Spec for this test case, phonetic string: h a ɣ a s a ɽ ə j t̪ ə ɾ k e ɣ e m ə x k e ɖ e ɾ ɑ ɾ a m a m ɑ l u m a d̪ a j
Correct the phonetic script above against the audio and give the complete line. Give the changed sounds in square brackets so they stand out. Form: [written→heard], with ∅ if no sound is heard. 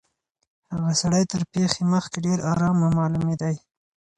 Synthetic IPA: h a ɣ a s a ɽ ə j t̪ ə ɾ [k→p] e [ɣ→x] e m ə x k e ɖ e ɾ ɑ ɾ [a→ɑ] m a m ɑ l u m [a→e] d̪ a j